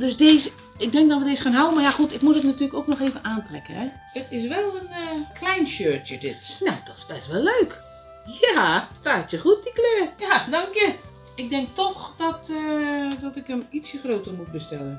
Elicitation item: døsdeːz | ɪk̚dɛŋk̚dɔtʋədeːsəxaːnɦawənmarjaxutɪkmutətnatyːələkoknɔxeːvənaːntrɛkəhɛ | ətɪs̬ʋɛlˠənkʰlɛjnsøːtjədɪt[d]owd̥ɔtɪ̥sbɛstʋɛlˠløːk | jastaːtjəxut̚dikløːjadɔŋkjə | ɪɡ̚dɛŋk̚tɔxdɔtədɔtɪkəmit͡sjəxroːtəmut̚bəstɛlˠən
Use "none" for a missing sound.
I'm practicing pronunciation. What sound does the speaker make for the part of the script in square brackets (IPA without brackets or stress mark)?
n